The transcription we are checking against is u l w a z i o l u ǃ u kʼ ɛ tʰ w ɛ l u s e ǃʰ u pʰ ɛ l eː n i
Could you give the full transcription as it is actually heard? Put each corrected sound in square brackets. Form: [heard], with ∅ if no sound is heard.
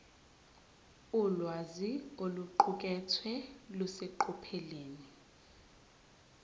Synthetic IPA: u l w a z i o l u ǃ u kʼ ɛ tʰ w ɛ l u s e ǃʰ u pʰ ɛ l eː n i